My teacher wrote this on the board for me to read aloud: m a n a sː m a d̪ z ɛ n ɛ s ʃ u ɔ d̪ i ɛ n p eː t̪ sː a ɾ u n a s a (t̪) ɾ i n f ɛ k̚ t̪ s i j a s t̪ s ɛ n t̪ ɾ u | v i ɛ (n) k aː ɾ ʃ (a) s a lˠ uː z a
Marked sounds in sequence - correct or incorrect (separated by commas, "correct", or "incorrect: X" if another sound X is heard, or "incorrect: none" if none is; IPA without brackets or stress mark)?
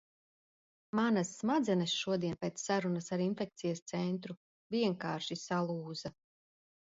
incorrect: none, incorrect: ŋ, incorrect: i